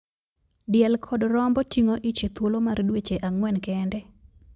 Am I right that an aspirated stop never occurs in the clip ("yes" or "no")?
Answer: no